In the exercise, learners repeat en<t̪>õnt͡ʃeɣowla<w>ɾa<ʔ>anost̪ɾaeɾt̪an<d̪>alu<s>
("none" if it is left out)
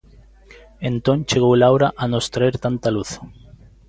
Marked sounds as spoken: t̪, w, ʔ, t̪, θ

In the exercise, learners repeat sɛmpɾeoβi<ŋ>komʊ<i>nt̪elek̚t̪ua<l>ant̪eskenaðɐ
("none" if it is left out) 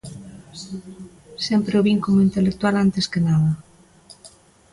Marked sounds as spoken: ŋ, i, l

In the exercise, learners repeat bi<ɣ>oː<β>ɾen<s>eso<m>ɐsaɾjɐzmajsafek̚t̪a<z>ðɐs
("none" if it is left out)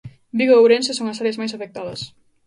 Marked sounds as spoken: ɣ, w, s, ŋ, none

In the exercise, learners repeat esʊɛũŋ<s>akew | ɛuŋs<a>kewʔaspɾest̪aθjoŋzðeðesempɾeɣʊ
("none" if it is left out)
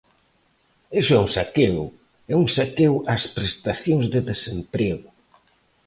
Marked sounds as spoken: s, a

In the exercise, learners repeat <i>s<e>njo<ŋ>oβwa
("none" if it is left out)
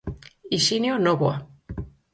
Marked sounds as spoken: i, i, n

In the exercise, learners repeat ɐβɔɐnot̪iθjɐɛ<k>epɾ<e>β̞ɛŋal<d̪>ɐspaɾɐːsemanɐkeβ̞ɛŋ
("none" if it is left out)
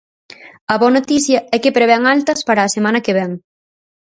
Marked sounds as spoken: k, e, t̪

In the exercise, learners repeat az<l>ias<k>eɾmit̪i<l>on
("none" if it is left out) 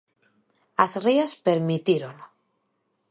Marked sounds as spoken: r, p, ɾ

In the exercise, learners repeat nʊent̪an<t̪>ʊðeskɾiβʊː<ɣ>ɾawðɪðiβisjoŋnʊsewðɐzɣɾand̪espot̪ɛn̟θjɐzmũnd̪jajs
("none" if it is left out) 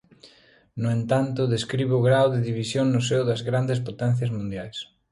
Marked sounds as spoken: t̪, ɣ

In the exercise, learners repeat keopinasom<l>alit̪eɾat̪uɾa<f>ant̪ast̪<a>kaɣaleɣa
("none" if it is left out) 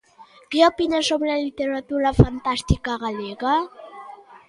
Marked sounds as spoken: l, f, i

